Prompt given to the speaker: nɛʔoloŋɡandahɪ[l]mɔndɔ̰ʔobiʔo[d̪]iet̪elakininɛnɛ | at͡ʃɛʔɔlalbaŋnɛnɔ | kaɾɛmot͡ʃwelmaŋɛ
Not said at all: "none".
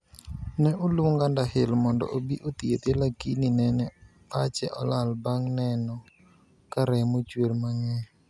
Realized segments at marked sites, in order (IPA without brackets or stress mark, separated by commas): l, t̪